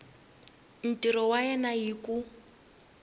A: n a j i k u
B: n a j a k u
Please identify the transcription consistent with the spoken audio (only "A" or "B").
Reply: A